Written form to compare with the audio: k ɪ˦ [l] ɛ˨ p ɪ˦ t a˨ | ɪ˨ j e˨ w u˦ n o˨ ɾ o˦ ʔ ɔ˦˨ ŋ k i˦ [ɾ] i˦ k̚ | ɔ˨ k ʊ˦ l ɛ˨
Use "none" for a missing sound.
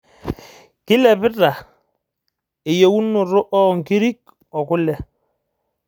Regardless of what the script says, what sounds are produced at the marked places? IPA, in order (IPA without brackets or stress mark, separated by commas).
l, ɾ